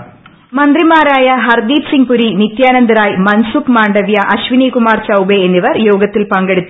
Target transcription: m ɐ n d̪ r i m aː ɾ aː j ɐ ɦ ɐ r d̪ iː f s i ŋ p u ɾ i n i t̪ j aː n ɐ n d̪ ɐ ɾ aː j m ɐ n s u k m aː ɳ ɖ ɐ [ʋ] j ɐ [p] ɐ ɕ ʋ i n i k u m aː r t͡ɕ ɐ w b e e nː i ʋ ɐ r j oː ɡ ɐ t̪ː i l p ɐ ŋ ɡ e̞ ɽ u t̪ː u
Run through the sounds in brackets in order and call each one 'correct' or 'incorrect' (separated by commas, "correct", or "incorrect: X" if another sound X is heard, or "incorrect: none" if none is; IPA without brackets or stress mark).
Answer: correct, incorrect: ʔ